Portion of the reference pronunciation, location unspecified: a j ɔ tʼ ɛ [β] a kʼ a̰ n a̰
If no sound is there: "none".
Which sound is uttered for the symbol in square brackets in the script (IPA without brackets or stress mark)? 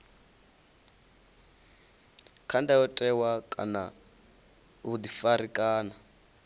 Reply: w